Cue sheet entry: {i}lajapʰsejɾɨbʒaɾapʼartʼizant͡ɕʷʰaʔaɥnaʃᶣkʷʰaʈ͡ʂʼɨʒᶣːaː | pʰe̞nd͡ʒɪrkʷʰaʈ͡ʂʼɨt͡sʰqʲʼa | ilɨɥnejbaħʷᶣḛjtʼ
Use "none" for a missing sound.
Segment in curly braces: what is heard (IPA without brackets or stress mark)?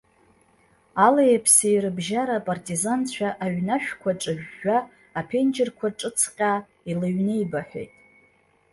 a